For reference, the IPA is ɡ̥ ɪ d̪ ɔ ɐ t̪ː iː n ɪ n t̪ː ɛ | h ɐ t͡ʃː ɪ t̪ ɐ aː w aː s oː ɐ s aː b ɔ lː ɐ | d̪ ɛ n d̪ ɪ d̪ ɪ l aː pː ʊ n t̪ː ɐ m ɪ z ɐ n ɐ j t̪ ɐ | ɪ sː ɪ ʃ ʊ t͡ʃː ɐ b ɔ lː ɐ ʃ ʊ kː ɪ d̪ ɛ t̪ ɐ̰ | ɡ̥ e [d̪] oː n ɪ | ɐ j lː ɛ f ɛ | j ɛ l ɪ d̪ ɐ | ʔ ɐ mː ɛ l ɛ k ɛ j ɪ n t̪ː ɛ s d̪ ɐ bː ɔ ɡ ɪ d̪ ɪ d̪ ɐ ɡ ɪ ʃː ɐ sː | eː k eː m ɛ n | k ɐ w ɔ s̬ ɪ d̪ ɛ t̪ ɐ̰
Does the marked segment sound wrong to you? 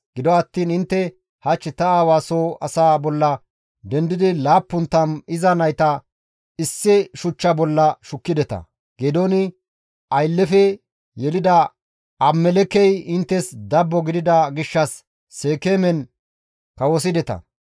no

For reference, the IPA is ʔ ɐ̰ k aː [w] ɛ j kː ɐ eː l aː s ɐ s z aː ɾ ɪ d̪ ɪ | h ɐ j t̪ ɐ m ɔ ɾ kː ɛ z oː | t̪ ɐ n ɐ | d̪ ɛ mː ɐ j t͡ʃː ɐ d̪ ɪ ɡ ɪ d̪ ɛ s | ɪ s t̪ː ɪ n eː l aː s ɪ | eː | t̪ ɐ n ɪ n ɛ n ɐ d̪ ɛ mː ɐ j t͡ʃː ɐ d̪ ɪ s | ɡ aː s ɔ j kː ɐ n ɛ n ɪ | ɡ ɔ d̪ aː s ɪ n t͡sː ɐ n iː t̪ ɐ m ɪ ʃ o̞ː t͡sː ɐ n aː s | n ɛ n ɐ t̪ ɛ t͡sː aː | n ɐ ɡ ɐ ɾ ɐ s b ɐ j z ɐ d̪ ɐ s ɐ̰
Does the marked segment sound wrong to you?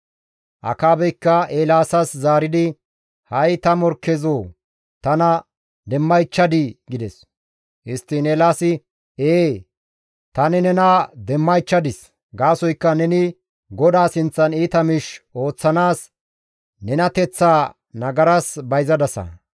yes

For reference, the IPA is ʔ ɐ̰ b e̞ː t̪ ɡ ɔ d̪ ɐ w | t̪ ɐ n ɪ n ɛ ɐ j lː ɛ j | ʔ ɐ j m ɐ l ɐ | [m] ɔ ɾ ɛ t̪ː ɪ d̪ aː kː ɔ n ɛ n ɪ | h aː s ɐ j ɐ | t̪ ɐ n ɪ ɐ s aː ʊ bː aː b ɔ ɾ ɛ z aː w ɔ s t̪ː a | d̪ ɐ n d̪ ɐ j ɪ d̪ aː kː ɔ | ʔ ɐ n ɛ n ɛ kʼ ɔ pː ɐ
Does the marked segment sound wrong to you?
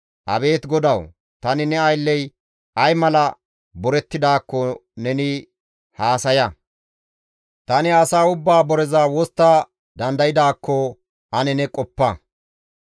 yes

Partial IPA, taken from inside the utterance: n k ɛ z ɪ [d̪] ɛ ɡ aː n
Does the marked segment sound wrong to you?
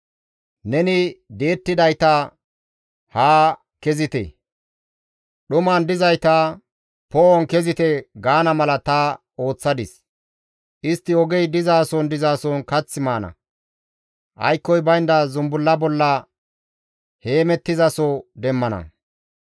yes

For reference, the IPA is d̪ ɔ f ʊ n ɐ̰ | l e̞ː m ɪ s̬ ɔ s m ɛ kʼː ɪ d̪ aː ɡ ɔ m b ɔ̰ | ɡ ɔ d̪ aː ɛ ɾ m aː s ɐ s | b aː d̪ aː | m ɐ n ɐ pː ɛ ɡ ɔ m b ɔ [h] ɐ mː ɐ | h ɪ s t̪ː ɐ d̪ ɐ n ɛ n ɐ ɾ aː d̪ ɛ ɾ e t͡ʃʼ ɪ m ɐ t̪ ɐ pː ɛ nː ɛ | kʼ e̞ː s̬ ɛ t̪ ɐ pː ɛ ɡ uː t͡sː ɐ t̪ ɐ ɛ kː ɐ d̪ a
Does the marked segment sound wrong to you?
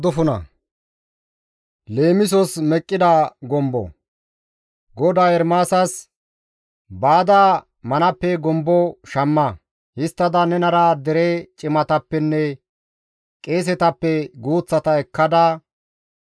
yes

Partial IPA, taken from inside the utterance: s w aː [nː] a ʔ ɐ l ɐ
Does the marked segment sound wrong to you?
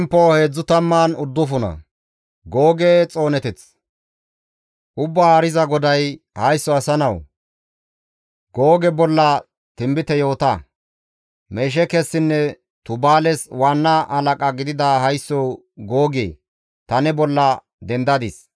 no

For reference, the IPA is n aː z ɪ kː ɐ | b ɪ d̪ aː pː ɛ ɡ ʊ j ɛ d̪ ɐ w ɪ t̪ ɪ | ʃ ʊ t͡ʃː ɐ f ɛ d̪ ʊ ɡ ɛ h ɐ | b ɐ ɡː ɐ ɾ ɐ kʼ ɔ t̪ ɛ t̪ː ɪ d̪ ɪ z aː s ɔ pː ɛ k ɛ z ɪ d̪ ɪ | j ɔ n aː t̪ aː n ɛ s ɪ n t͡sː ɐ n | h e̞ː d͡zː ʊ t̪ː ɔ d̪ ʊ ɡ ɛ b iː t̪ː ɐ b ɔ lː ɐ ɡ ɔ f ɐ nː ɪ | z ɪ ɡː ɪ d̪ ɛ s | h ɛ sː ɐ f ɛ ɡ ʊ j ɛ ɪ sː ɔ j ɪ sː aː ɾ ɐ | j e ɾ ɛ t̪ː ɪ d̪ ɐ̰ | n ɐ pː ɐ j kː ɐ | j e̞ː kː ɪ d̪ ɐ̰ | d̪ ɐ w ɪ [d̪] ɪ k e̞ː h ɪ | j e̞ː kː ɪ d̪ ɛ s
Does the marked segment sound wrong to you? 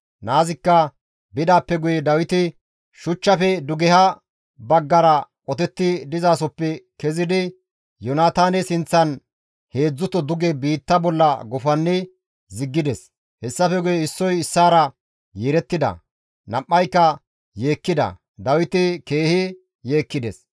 yes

